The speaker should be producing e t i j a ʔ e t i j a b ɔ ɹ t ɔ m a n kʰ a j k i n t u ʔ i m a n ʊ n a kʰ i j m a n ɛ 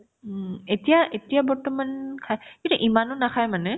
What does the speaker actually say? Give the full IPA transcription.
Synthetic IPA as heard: e t i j a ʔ e t i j a b ɔ ɹ t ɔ m a n kʰ a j k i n t u ʔ i m a n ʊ n a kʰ a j m a n ɛ